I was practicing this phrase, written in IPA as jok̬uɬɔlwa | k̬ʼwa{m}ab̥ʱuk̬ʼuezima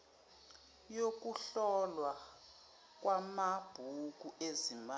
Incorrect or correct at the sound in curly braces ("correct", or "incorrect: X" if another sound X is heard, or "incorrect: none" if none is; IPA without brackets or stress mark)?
correct